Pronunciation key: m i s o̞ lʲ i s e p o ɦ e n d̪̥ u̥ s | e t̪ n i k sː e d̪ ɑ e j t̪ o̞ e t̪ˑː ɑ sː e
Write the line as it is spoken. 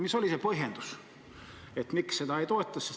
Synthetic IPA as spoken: m i s o̞ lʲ i s e p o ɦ e n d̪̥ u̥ s | e t̪ m i k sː e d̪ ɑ e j t̪ o̞ e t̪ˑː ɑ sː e